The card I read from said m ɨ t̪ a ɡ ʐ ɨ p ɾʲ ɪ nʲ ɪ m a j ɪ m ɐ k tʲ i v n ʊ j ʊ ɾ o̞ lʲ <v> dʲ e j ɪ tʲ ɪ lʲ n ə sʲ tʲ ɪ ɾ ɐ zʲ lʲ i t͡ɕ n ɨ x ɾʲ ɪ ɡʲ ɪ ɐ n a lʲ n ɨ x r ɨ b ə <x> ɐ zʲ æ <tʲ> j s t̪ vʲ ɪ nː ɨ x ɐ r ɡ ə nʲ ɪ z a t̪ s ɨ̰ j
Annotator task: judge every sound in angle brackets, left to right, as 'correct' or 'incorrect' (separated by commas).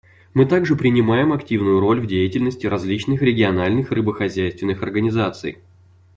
correct, correct, incorrect